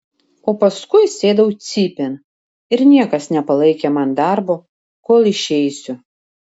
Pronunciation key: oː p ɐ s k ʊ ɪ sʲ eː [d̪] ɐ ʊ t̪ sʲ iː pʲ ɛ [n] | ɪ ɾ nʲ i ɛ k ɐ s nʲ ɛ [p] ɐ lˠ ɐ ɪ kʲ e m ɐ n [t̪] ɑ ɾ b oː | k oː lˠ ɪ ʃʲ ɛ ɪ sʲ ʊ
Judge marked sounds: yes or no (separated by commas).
yes, yes, yes, no